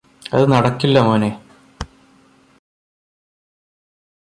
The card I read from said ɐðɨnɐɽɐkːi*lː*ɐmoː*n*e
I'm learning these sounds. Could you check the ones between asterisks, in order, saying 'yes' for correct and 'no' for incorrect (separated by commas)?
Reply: yes, yes